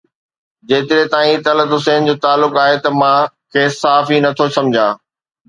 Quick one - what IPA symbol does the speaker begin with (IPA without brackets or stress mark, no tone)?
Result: d͡ʑ